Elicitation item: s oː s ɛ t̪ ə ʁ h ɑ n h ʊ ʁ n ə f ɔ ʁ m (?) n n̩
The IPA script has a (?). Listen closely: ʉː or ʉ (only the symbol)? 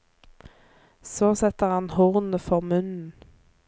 ʉ